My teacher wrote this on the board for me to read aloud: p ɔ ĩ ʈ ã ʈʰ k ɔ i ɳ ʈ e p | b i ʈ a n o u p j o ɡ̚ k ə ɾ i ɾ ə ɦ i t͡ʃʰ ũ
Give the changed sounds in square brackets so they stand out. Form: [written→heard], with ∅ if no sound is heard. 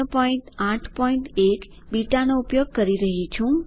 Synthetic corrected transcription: p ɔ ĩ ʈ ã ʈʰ [k→p] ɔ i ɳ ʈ e [p→k] | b i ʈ a n o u p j o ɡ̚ k ə ɾ i ɾ ə ɦ i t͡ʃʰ ũ

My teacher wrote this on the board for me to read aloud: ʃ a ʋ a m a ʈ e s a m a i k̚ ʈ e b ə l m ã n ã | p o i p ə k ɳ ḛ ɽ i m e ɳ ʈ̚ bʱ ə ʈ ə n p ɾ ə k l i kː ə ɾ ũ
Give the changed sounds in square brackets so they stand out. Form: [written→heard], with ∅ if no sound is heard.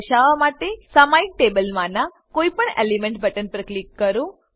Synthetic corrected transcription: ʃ a ʋ a m a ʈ e s a m a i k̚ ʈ e b ə l m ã n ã | [p→k] o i p ə [k→∅] ɳ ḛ [ɽ→l] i m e ɳ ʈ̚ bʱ ə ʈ ə n p ɾ ə k l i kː ə ɾ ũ

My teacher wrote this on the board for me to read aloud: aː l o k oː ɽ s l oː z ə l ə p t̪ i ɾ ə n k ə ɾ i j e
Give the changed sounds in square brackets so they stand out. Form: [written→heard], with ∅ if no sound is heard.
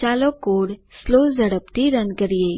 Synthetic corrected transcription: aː l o k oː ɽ s l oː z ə [l→ɽ] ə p t̪ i ɾ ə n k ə ɾ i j e

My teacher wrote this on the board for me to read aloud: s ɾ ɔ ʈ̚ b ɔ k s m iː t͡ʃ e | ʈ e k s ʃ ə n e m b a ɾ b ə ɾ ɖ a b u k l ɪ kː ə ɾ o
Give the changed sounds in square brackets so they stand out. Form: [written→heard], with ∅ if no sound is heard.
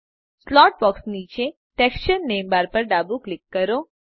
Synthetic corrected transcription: s [ɾ→l] ɔ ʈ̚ b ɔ k s [m→n] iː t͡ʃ e | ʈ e k s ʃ ə [n→nː] e m b a ɾ [b→p] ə ɾ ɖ a b u k l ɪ kː ə ɾ o

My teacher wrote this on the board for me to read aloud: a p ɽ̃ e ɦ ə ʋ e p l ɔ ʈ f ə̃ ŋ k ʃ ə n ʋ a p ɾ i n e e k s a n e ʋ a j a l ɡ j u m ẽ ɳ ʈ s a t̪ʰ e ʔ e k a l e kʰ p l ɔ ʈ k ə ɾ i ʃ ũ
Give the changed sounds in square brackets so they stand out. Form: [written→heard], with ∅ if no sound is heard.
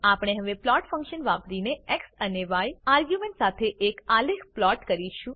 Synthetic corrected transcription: a p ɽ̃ e ɦ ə ʋ e p l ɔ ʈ f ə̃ ŋ k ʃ ə n ʋ a p ɾ i n e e k s [a→ə] n e ʋ a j a [l→ɾ] ɡ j u m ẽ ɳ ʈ s a t̪ʰ e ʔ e k a l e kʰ p l ɔ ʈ k ə ɾ i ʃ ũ

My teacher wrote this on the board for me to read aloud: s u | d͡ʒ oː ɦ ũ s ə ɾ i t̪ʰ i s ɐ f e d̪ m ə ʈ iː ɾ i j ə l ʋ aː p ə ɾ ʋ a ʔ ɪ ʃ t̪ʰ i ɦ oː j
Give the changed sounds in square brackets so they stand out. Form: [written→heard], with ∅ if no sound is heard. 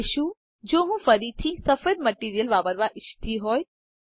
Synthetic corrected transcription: [s→ʃ] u | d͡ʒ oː ɦ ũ [s→f] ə ɾ i t̪ʰ i s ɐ f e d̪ m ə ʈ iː ɾ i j ə l ʋ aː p ə ɾ ʋ a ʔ ɪ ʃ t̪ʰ i ɦ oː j

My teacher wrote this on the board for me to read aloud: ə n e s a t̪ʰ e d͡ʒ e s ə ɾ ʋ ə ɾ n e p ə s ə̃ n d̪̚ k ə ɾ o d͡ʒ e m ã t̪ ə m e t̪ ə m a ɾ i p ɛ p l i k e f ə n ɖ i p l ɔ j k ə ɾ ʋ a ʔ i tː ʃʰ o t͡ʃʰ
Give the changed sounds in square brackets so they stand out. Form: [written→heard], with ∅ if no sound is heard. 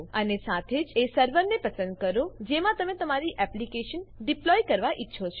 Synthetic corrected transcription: ə n e s a t̪ʰ e d͡ʒ e s ə ɾ ʋ ə ɾ n e p ə s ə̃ n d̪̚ k ə ɾ o d͡ʒ e m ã t̪ ə m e t̪ ə m a ɾ i [p→ʔ] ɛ p l i k e [f→ʃ] ə n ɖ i p l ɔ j k ə ɾ ʋ a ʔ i tː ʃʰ o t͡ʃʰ

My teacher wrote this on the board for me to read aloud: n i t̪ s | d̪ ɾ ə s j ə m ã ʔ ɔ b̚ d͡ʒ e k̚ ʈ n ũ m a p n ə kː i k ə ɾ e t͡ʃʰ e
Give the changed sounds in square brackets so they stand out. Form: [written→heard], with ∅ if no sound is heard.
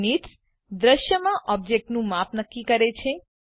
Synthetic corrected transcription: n i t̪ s | d̪ ɾ ə [s→ʃ] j ə m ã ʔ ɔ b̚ d͡ʒ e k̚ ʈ n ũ m a p n ə kː i k ə ɾ e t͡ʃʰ e

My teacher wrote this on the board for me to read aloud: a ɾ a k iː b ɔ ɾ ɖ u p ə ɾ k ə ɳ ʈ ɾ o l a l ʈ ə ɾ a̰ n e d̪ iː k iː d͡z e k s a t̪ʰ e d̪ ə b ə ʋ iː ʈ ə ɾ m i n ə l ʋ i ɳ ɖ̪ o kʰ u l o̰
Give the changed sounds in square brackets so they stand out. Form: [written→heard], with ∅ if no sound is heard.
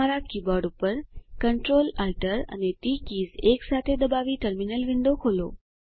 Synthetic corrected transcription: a ɾ a k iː b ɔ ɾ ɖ u p ə ɾ k ə ɳ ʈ ɾ o l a l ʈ ə ɾ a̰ n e [d̪→t̪] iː k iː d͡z e k s a t̪ʰ e d̪ ə b [ə→a] ʋ iː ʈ ə ɾ m i n ə l ʋ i ɳ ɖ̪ o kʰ [u→o] l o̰

